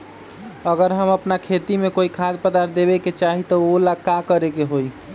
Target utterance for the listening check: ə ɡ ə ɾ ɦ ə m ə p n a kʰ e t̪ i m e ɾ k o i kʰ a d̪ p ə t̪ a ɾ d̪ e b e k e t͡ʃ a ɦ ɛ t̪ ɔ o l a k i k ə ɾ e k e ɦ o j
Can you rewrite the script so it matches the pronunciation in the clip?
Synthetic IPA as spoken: ə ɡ ə ɾ ɦ ə m ə p n a kʰ e t̪ i m e k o i kʰ a d̪ p ə d̪ a ɾ d̪ e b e k e t͡ʃ a ɦ i t̪ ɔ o l a k a k ə ɾ e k e ɦ o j